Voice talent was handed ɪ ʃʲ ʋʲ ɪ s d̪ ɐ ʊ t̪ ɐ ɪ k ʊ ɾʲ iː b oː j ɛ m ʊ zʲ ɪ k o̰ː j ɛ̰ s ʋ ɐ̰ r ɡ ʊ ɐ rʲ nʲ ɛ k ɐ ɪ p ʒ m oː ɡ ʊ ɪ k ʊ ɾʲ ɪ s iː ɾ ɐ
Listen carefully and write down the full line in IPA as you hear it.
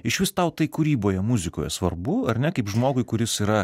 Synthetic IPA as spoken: ɪ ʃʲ ʋʲ ɪ s t̪ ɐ ʊ t̪ ɐ ɪ k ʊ ɾʲ iː b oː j ɛ m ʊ zʲ ɪ k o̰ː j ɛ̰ s ʋ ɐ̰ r b ʊ ɐ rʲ nʲ ɛ k ɐ ɪ p ʒ m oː ɡ ʊ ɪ k ʊ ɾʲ ɪ s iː ɾ ɐ